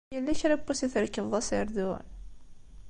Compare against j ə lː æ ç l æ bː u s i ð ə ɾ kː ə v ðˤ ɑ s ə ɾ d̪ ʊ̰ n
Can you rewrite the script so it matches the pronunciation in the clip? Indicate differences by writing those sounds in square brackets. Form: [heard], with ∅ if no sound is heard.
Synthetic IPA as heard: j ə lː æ ç [ɾ] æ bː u s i [θ] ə ɾ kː ə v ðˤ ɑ s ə ɾ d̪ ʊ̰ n

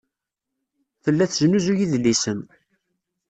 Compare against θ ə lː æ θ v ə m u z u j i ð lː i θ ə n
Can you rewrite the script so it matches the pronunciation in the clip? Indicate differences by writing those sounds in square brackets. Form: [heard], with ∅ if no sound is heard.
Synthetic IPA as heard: θ ə lː æ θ [ʒ] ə [n] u z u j i ð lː i [s] ə n

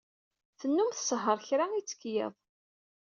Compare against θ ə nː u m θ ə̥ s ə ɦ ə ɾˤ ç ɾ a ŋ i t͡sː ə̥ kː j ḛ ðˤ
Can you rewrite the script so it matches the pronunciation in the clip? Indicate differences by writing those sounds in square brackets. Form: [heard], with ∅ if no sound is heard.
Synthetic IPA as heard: θ ə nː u m θ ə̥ s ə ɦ ə ɾˤ ç ɾ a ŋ i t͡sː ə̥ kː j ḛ ðˤ

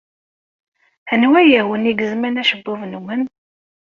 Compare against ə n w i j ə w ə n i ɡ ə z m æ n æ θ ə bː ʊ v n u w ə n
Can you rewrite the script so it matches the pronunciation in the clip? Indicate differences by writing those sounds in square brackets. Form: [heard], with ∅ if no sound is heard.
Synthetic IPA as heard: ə n w [æ] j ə w ə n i ɡ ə z m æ n æ [ʃ] ə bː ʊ v n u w ə n

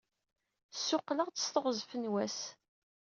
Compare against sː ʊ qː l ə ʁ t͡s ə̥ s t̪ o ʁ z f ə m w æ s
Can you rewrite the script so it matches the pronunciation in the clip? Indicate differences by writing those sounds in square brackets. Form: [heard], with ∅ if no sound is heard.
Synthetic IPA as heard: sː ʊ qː l ə ʁ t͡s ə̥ s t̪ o ʁ z f ə [n] w æ s

